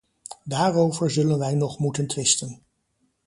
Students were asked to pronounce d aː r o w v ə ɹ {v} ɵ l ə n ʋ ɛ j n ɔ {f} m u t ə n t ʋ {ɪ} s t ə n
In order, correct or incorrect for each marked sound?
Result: incorrect: z, incorrect: χ, correct

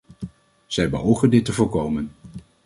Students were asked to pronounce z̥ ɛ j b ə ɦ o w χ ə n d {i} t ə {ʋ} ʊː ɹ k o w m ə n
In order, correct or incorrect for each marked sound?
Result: incorrect: ɪ, incorrect: v

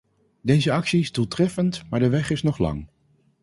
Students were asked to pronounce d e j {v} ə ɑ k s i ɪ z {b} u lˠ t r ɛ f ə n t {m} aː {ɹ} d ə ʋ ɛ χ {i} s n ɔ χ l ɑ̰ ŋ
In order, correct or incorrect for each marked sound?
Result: incorrect: z, incorrect: d, correct, correct, incorrect: ɪ

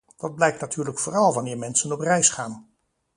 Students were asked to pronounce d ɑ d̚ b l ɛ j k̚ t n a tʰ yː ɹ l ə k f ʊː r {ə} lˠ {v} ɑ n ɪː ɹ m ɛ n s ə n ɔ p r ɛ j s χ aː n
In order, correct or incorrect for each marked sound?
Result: incorrect: ɑ, incorrect: ʋ

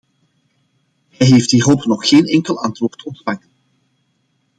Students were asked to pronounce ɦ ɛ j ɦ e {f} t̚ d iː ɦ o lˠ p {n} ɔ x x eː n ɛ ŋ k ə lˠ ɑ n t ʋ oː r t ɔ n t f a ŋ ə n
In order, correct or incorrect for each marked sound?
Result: correct, correct

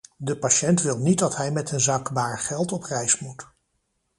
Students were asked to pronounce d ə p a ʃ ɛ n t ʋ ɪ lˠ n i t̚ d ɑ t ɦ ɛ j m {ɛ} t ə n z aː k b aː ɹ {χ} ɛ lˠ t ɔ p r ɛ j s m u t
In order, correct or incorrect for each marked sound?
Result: correct, correct

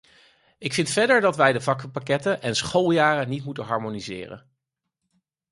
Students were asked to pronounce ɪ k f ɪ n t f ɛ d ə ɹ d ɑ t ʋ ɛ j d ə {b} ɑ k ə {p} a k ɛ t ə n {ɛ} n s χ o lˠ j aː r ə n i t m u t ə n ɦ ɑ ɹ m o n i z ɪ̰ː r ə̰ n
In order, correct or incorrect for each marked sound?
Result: incorrect: v, correct, correct

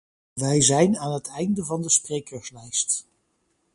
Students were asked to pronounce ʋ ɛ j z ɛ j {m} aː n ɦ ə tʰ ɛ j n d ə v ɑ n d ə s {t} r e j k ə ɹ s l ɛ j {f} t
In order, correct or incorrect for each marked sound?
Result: incorrect: n, incorrect: p, incorrect: s

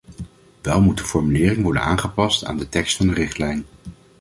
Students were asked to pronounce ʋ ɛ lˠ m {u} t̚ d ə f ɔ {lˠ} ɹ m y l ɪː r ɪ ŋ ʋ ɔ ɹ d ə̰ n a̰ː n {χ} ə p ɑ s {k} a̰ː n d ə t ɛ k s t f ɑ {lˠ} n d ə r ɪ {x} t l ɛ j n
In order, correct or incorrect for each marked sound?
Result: correct, incorrect: none, correct, incorrect: t, incorrect: none, incorrect: χ

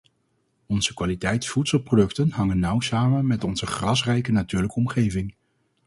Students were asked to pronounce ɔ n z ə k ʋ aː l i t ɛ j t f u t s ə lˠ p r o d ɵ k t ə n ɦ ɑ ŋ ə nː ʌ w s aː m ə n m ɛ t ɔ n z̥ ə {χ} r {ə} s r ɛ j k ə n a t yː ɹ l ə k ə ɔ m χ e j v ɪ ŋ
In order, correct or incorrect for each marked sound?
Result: correct, incorrect: ɑ

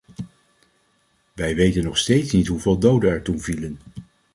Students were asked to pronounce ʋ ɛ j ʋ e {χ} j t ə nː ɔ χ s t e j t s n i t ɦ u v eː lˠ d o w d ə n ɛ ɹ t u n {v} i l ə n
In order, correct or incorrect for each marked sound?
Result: incorrect: none, correct

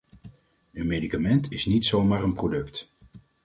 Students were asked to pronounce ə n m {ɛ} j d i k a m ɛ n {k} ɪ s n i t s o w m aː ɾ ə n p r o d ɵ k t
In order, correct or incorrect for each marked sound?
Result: incorrect: e, incorrect: t

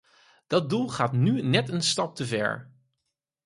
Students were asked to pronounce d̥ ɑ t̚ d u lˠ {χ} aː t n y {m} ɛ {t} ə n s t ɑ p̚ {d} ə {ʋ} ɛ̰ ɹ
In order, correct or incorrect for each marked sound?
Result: correct, incorrect: n, correct, incorrect: t, incorrect: v

